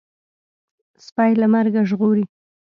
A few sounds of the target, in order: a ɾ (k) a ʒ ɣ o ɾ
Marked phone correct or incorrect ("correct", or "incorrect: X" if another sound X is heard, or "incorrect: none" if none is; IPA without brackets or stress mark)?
incorrect: ɡ